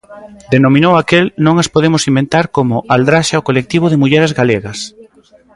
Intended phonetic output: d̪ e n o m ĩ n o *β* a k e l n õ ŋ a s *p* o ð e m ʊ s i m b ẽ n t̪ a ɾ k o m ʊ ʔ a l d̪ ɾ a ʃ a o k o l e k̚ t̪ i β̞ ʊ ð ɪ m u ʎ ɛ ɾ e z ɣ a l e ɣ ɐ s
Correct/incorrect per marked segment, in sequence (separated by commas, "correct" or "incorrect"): incorrect, correct